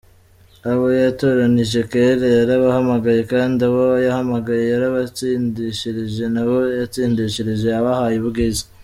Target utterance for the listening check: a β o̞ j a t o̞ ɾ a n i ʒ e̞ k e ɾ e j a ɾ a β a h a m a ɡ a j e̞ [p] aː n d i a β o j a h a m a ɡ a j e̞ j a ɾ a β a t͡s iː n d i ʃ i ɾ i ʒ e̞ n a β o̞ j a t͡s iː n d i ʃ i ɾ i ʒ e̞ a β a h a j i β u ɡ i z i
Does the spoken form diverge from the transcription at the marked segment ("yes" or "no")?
yes